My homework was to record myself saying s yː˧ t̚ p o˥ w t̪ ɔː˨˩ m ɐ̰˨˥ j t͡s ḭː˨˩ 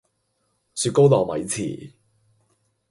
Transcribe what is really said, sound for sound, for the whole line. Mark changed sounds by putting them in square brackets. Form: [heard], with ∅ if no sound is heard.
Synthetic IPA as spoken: s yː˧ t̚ [k] o˥ w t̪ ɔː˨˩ m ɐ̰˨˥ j [t͡sʰ] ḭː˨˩